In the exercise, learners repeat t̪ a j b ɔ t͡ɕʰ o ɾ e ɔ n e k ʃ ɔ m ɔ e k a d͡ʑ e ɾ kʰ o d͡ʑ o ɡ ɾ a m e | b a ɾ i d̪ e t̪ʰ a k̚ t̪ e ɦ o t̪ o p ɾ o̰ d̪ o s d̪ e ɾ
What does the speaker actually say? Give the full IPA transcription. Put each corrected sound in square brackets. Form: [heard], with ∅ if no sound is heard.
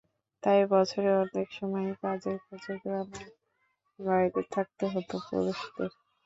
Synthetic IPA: t̪ a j b ɔ t͡ɕʰ o ɾ e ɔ n e k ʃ ɔ m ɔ e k a d͡ʑ e ɾ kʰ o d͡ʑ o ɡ ɾ a m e | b a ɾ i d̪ e t̪ʰ a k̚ t̪ e ɦ o t̪ o p ɾ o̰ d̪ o [ʃ] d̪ e ɾ